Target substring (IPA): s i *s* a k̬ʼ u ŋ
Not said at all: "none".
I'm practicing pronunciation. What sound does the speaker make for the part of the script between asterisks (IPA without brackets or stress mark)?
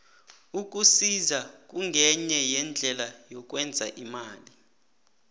z